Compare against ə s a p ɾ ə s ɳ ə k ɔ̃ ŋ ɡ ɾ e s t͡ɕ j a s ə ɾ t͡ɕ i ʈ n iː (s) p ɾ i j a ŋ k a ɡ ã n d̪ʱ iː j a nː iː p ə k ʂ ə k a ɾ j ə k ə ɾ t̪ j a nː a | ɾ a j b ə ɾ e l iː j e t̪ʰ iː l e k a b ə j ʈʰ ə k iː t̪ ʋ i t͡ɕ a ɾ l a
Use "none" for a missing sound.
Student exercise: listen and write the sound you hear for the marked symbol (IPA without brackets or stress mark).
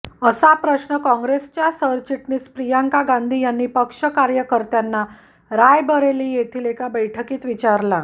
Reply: s